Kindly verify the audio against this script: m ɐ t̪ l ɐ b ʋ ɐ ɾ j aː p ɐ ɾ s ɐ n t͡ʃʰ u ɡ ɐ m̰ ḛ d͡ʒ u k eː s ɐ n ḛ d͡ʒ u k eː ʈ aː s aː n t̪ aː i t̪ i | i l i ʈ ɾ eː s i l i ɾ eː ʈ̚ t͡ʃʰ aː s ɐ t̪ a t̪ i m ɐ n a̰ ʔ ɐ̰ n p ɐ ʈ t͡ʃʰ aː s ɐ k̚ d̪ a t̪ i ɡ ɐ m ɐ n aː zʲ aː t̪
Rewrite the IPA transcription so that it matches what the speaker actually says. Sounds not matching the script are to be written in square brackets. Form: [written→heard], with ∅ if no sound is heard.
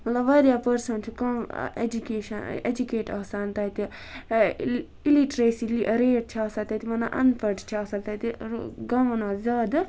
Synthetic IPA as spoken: m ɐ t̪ l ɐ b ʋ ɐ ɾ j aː p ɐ ɾ s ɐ n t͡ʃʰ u [ɡ→k] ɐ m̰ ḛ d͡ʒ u k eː [s→ʃ] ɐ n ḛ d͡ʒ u k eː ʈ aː s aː n t̪ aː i t̪ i | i l i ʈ ɾ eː s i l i ɾ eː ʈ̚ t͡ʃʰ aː s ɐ t̪ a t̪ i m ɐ n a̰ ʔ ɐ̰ n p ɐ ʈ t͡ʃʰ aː s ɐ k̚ [d̪→t̪] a t̪ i ɡ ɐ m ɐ n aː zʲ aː [t̪→d̪]